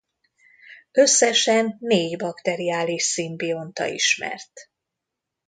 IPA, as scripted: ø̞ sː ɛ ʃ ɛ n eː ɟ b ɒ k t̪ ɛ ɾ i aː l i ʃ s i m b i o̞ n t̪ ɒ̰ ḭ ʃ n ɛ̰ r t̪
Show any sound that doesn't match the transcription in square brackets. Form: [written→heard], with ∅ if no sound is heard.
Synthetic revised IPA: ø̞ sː ɛ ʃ ɛ [n→nː] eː ɟ b ɒ k t̪ ɛ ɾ i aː l i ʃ s i m b i o̞ n t̪ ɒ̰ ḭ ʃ [n→m] ɛ̰ r t̪